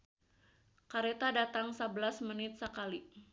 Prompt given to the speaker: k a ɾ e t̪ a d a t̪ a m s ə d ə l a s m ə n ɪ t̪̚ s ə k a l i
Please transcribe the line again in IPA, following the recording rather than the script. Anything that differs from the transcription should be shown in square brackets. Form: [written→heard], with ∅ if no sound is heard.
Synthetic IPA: k a ɾ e t̪ a d a t̪ a [m→ŋ] s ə [d→b] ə l a s m ə n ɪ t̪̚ s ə k a l i

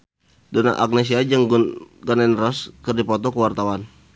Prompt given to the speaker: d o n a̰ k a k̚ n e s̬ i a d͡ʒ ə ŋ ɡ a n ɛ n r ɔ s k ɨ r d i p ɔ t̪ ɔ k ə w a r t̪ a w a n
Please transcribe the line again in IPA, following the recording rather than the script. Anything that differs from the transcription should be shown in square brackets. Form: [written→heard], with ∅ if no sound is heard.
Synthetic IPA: d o n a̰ [k→ʔ] a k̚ n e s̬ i a d͡ʒ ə ŋ ɡ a n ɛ n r ɔ s k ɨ r d i p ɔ t̪ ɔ k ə w a r t̪ a w a n

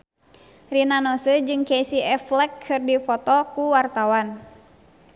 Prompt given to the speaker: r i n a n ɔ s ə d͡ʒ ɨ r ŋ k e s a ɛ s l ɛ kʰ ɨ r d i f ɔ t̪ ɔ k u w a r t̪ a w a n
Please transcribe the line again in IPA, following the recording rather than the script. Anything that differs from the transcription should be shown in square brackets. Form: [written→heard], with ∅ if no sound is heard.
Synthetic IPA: r i n a n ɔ s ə d͡ʒ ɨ [r→∅] ŋ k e s [a→i] ɛ [s→f] l ɛ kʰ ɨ r d i f ɔ t̪ ɔ k u w a r t̪ a w a n

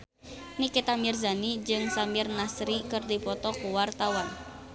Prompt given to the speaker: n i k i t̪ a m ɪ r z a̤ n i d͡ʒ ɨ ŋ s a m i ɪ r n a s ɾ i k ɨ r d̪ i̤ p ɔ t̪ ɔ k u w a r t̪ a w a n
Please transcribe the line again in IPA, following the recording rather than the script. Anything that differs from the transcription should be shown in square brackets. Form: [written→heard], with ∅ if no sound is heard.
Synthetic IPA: n i k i t̪ a m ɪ r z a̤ n i d͡ʒ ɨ ŋ s a m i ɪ r n a s ɾ i k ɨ r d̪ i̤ p ɔ t̪ ɔ k u w a r t̪ a w a n

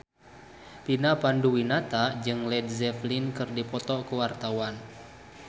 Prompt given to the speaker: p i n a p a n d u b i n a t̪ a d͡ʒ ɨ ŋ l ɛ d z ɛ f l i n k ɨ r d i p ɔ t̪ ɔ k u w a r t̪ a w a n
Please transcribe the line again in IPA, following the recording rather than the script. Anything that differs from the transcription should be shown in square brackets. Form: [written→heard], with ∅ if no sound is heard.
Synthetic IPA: p i n a p a n d u [b→w] i n a t̪ a d͡ʒ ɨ ŋ l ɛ d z ɛ f l i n k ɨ r d i p ɔ t̪ ɔ k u w a r t̪ a w a n

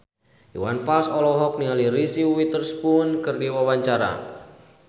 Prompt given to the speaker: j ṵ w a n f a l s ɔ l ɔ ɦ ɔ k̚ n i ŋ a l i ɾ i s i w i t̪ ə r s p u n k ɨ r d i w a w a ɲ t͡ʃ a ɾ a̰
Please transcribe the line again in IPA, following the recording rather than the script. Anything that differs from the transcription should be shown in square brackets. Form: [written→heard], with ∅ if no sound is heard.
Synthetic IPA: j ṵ w a n f a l s ɔ l ɔ ɦ ɔ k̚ n i ŋ a l i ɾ i s i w i t̪ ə r s p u n k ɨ r d i w a w a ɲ t͡ʃ a ɾ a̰

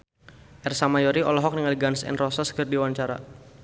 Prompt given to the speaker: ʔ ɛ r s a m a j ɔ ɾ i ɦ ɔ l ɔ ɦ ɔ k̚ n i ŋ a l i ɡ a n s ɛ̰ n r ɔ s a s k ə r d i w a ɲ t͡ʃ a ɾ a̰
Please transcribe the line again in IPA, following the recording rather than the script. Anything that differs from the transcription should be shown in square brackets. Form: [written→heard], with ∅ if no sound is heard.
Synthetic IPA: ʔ ɛ r s a m a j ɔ ɾ i [ɦ→∅] ɔ l ɔ ɦ ɔ k̚ n i ŋ a l i ɡ a n s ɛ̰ n r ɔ s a s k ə r d i w a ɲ t͡ʃ a ɾ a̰

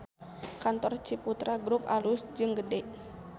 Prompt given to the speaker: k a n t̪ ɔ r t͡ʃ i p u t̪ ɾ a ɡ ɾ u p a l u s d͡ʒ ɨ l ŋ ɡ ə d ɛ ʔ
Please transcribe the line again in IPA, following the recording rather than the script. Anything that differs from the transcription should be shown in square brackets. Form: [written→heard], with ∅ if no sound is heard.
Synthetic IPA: k a n t̪ ɔ r t͡ʃ i p u t̪ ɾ a ɡ ɾ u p a l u s d͡ʒ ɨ [l→∅] ŋ ɡ ə d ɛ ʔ

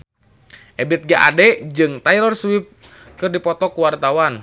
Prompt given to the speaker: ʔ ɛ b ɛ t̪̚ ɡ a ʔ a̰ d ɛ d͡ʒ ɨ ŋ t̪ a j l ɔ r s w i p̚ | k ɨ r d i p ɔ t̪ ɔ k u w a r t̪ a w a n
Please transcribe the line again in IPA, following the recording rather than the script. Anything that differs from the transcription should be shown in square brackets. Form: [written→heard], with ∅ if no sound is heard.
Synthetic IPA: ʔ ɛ b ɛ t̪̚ ɡ a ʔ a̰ d ɛ d͡ʒ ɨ ŋ t̪ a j l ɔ r s w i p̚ | k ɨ r d i p ɔ t̪ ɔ k u w a r t̪ a w a n

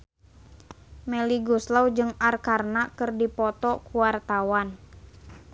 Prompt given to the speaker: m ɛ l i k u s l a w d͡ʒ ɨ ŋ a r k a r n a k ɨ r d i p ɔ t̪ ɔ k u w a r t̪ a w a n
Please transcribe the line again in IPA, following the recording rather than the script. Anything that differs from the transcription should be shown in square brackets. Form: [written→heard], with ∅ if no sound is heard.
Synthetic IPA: m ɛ l i [k→ɡ] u s l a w d͡ʒ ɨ ŋ a r k a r n a k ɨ r d i p ɔ t̪ ɔ k u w a r t̪ a w a n

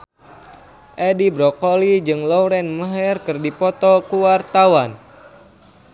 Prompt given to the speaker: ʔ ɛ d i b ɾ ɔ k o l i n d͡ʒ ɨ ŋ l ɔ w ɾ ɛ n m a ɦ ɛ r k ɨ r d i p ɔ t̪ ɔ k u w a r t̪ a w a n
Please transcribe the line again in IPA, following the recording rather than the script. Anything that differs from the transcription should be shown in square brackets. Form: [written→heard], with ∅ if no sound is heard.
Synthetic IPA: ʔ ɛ d i b ɾ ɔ k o l i [n→∅] d͡ʒ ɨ ŋ l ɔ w ɾ ɛ n m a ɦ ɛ r k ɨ r d i p ɔ t̪ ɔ k u w a r t̪ a w a n

